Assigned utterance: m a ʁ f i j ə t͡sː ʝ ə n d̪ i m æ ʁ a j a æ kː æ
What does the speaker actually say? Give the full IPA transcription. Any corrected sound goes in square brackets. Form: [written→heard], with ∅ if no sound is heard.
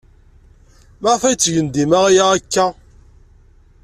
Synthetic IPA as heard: m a ʁ f [i→æ] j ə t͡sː ʝ ə n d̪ i m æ ʁ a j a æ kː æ